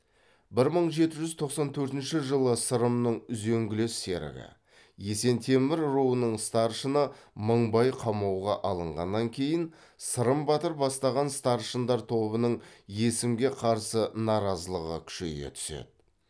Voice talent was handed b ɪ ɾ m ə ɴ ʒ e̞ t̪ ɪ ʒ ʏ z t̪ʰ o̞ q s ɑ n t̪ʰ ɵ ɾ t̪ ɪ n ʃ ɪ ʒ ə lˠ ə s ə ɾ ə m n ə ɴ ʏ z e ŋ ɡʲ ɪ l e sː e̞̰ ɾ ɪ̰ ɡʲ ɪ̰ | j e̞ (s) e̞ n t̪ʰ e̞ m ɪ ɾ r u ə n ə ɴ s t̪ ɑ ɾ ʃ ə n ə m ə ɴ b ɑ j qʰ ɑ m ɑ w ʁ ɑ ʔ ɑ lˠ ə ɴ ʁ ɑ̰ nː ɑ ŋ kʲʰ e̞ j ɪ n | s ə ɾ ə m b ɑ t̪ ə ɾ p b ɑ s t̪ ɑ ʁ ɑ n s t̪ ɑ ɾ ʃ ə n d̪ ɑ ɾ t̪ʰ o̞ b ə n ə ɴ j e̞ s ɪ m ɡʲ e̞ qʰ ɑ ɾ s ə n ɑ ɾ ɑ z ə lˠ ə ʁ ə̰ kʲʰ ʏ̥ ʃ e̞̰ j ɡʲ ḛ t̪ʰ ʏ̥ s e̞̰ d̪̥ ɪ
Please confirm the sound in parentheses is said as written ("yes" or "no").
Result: yes